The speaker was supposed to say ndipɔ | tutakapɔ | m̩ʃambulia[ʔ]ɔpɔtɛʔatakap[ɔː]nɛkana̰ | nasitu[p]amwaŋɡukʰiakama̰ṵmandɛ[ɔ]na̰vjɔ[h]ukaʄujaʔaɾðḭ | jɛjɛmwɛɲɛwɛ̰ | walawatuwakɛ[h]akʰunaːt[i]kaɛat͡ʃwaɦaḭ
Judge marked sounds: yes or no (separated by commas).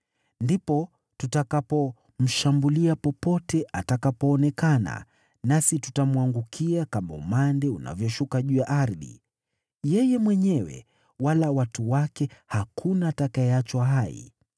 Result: no, yes, no, no, no, yes, no